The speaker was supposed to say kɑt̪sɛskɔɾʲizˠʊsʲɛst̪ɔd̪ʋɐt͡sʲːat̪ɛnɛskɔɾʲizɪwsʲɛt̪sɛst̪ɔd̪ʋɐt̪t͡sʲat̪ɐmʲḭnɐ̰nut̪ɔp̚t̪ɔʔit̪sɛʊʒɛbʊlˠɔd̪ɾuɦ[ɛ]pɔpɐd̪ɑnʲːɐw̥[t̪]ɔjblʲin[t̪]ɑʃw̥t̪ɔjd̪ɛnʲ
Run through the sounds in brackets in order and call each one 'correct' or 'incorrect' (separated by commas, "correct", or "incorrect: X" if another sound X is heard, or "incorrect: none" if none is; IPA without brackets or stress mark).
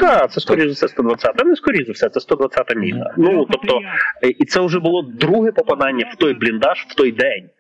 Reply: correct, correct, incorrect: d̪